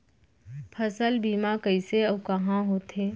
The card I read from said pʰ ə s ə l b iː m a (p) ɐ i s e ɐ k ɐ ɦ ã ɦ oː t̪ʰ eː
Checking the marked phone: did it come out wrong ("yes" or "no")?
yes